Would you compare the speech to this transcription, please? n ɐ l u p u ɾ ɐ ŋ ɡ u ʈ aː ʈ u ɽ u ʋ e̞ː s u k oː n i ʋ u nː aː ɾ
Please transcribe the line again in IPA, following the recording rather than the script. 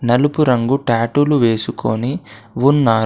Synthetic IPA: n ɐ l u p u ɾ ɐ ŋ ɡ u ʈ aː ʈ u l u ʋ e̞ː s u k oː n i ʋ u nː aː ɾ